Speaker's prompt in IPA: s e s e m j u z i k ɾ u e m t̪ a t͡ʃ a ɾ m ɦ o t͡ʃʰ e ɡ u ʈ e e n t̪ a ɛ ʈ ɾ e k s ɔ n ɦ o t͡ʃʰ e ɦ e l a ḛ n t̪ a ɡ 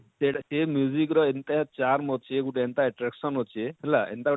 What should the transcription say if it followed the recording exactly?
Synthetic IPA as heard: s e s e m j u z i k ɾ ɔ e n t̪ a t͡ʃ a ɾ m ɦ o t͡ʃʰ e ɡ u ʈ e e n t̪ a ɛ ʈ ɾ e k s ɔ n ɦ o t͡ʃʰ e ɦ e l a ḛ n t̪ a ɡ